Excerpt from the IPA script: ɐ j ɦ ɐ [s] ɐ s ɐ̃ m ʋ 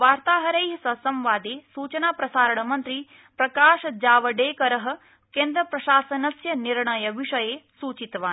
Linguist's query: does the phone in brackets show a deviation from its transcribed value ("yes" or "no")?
no